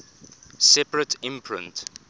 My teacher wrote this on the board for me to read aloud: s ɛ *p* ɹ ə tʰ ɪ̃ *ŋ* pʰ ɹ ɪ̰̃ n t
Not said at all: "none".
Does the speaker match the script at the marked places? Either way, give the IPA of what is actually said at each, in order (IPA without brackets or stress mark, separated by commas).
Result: p, m